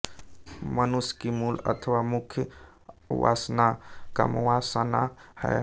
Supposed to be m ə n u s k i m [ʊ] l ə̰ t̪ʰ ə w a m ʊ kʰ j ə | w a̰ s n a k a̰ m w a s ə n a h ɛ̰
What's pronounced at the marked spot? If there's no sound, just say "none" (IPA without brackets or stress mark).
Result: u